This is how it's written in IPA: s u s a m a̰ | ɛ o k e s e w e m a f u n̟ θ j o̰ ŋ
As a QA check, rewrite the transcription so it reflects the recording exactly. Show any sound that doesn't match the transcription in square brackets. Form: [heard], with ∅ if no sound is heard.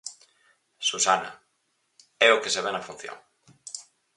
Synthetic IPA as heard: s u s a [n] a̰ | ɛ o k e s e [β] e [n] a f u n̟ θ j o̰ ŋ